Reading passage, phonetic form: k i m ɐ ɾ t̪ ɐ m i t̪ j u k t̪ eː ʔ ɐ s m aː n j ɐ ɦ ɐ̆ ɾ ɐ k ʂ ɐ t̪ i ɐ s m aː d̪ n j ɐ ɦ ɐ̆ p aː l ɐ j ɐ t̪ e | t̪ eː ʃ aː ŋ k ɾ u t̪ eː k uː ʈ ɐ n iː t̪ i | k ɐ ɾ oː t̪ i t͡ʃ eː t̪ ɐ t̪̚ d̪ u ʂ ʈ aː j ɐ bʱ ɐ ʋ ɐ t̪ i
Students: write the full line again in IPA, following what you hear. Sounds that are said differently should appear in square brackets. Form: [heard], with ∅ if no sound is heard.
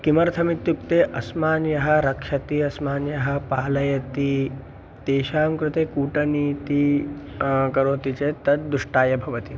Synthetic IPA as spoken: k i m ɐ ɾ [t̪ʰ] ɐ m i t̪ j u k t̪ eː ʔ ɐ s m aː n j ɐ ɦ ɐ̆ ɾ ɐ k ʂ ɐ t̪ i ɐ s m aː [∅] n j ɐ ɦ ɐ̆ p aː l ɐ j ɐ t̪ [i] | t̪ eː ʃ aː [m] k ɾ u t̪ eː k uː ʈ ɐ n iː t̪ i | k ɐ ɾ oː t̪ i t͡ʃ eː t̪ ɐ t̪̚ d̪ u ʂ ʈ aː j ɐ bʱ ɐ ʋ ɐ t̪ i